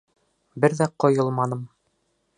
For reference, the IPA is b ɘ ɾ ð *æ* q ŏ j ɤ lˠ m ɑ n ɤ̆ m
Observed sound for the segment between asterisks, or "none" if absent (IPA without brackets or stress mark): æ